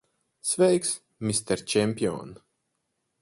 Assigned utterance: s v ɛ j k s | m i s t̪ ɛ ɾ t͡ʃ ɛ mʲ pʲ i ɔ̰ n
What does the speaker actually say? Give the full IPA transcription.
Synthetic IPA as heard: s v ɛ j k s | m i s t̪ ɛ ɾ t͡ʃ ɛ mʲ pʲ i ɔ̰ n